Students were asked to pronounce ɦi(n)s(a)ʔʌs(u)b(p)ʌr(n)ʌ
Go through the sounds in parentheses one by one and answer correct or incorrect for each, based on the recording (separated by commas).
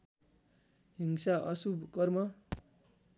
incorrect, correct, correct, incorrect, incorrect